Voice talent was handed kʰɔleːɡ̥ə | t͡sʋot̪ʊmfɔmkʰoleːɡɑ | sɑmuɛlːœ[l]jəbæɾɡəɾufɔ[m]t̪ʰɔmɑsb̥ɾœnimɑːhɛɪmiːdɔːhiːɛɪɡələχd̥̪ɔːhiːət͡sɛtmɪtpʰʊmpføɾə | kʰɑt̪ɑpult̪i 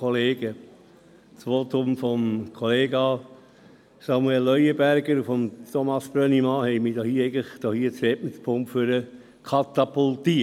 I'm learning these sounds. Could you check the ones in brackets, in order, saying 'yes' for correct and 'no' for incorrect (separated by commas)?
no, yes